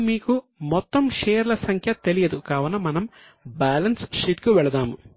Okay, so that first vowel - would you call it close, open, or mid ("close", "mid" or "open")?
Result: close